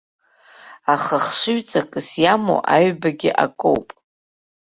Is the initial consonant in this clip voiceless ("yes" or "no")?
yes